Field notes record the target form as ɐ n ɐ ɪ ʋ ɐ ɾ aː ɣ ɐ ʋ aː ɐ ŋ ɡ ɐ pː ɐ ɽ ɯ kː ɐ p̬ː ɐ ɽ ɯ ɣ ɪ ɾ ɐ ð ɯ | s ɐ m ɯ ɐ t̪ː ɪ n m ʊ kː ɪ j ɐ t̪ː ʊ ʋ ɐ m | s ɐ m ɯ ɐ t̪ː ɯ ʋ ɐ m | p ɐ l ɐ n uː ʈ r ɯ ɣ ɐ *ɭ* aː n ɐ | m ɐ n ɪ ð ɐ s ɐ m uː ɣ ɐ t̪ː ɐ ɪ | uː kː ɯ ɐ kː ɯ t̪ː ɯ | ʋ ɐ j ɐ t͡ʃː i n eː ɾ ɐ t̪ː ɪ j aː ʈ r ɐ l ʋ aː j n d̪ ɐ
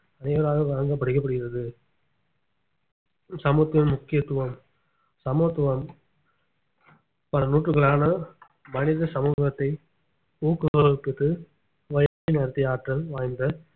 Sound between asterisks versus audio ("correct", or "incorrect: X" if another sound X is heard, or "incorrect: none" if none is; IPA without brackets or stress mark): correct